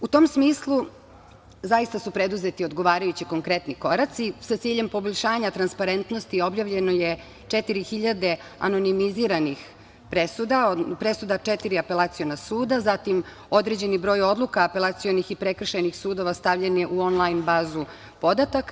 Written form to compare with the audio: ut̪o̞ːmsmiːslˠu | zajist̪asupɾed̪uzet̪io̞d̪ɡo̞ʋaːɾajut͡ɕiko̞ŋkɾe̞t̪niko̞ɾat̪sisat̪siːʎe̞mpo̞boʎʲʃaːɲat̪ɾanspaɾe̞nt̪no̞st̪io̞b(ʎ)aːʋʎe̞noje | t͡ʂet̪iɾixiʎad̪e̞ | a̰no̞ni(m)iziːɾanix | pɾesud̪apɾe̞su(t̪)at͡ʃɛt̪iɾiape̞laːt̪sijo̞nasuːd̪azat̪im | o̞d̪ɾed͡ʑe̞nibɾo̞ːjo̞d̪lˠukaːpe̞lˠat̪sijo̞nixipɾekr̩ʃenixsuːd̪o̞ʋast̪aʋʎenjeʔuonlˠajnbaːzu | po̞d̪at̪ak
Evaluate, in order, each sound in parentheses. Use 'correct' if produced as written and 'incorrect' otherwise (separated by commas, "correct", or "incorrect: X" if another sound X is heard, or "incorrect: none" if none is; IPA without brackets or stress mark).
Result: incorrect: j, correct, incorrect: d̪